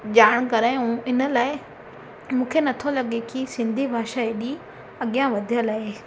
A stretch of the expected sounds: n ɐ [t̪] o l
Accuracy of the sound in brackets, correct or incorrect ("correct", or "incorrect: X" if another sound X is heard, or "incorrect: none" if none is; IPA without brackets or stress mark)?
incorrect: t̪ʰ